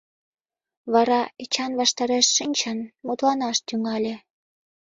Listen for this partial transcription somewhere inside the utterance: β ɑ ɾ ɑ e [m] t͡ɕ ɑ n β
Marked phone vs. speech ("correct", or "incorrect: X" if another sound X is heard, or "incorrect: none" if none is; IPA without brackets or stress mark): incorrect: none